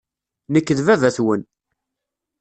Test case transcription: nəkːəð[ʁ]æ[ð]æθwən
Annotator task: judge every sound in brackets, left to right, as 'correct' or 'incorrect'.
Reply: incorrect: v, incorrect: v

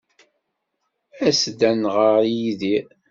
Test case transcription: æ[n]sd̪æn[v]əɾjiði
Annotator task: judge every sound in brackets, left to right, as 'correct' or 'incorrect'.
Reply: incorrect: none, incorrect: ʁ

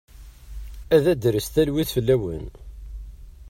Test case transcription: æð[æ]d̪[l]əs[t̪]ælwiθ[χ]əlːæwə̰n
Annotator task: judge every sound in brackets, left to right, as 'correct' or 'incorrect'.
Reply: correct, incorrect: ɾ, correct, incorrect: f

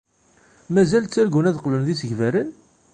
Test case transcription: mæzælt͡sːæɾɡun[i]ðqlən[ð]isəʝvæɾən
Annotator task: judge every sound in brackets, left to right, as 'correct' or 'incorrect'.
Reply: incorrect: æ, correct

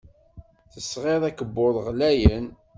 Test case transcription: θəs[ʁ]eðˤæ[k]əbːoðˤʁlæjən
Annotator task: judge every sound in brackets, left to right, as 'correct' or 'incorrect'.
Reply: correct, correct

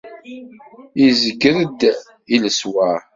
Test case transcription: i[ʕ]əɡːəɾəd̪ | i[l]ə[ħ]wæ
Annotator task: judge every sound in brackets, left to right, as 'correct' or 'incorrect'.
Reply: incorrect: z, correct, incorrect: s

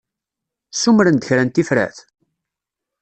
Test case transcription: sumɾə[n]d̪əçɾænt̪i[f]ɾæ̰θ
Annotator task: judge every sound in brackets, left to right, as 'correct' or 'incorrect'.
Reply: correct, correct

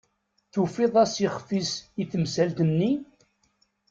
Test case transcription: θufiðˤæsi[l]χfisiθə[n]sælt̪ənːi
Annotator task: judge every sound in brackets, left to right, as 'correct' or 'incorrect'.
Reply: incorrect: none, incorrect: m

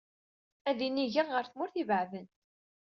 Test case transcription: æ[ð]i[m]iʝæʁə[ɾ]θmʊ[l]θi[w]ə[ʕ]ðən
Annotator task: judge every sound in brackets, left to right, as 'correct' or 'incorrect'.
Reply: correct, incorrect: n, correct, incorrect: ɾ, incorrect: v, correct

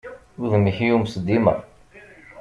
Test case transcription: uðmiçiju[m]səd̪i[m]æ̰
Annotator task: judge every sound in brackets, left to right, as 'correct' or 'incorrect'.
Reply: correct, correct

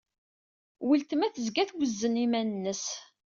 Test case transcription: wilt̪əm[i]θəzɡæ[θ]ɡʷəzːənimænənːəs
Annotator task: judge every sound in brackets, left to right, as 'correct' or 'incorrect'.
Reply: incorrect: æ, correct

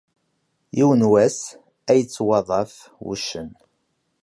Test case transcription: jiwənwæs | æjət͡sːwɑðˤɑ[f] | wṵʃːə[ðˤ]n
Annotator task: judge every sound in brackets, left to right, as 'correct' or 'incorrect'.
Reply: correct, incorrect: none

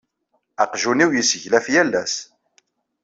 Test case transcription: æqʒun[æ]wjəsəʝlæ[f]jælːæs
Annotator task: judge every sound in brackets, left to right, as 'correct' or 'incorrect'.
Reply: incorrect: i, correct

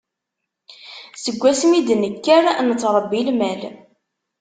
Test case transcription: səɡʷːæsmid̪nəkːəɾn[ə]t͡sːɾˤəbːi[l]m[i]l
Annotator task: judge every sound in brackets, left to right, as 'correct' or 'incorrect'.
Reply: correct, correct, incorrect: æ

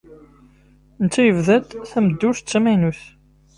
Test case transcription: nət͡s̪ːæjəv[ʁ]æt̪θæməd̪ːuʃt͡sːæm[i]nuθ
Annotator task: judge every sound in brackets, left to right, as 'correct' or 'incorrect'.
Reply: incorrect: ð, incorrect: æ

